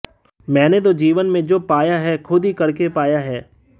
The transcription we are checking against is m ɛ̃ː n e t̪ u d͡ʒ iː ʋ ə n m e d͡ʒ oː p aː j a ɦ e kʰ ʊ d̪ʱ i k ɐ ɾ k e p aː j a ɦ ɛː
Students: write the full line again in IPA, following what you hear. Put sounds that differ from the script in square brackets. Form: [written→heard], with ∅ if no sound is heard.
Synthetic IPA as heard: m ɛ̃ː n e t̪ [u→o] d͡ʒ iː ʋ ə n m [e→ẽ] d͡ʒ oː p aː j a ɦ [e→ɛ] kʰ ʊ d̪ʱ i k ɐ ɾ k e p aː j a ɦ ɛː